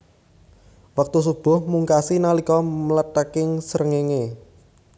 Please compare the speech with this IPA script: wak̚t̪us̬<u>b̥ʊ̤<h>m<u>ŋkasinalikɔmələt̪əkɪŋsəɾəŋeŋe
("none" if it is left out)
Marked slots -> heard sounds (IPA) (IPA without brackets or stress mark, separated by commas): u, h, u